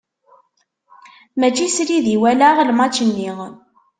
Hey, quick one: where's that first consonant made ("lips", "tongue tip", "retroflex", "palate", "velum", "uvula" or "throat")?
lips